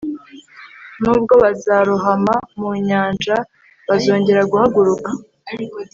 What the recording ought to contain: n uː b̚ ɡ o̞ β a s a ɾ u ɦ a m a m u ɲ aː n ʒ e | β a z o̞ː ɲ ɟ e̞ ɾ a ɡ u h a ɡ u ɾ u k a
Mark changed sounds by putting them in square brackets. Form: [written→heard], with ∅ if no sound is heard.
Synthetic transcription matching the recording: n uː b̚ ɡ o̞ β a [s→z] a ɾ u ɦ a m a m u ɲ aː n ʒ [e→a] | β a z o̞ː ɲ ɟ e̞ ɾ a ɡ u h a ɡ u ɾ u k a